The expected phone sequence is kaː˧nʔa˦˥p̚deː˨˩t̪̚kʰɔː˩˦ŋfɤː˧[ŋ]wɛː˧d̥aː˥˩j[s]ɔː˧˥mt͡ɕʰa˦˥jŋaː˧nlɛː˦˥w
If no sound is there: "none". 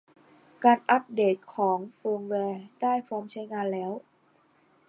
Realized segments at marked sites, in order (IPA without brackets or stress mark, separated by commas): ŋ, f